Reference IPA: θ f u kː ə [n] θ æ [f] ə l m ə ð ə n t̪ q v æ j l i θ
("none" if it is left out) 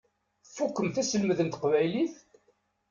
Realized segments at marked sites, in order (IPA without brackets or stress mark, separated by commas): m, s